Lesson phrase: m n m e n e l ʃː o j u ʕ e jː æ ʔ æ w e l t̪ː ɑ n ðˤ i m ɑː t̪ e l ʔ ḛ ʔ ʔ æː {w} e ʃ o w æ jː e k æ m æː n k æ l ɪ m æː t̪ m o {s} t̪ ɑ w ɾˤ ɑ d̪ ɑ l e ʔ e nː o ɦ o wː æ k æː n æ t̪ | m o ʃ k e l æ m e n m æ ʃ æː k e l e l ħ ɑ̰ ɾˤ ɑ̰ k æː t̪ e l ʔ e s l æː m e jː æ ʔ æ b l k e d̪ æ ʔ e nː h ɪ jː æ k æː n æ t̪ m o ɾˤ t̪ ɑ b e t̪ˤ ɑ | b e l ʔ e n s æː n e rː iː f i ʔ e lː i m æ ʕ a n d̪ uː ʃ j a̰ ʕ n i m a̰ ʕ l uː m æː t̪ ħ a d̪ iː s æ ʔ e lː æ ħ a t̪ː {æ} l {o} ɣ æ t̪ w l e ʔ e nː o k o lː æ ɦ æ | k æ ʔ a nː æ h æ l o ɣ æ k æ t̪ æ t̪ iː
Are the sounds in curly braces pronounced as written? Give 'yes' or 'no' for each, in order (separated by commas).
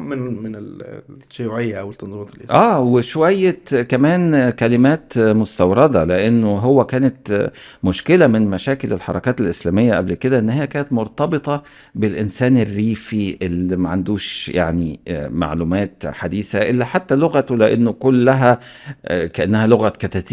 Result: yes, yes, yes, yes